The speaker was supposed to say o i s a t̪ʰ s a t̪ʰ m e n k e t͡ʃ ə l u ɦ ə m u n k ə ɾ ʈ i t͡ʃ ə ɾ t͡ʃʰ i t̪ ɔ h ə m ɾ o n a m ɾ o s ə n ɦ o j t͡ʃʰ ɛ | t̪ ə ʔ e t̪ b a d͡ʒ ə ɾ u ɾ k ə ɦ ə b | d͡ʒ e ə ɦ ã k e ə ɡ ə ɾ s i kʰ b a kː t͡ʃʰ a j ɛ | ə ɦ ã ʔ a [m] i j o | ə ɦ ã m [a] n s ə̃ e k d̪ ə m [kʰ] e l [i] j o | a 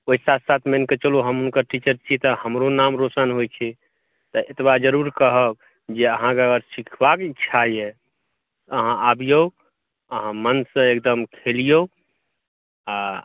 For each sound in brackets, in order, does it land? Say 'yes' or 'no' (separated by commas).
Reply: no, no, yes, yes